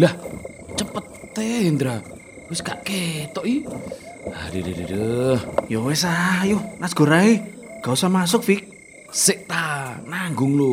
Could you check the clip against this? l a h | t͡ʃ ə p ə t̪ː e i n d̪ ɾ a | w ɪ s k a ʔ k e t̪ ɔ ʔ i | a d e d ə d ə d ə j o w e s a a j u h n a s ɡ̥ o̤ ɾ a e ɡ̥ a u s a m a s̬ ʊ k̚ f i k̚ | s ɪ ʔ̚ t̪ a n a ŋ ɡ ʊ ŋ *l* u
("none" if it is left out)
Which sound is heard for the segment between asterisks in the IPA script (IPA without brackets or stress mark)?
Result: l